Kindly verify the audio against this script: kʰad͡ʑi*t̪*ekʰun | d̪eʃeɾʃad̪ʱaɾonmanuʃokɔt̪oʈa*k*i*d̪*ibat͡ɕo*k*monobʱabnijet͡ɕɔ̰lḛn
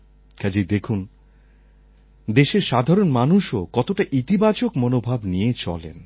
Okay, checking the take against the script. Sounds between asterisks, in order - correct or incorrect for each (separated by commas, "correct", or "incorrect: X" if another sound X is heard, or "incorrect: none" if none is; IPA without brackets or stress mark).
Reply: incorrect: d̪, incorrect: ʔ, incorrect: t̪, correct